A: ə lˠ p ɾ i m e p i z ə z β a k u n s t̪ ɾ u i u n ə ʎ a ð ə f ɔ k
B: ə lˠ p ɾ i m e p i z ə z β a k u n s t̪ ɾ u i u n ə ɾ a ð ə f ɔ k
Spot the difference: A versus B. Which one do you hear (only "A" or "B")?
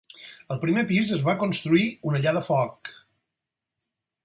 A